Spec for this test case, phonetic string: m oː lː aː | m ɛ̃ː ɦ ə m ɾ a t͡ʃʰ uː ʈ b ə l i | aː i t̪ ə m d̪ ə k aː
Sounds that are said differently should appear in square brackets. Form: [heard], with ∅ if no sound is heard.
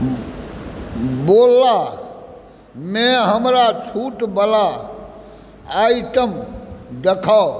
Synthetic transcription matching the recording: [b] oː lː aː | m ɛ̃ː ɦ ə m ɾ a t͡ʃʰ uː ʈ b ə l [a] | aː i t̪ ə m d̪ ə [kʰ] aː